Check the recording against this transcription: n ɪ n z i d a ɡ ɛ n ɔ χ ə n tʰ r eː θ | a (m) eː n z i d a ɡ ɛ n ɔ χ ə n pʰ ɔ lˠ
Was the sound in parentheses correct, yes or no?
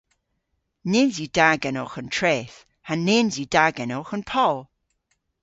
no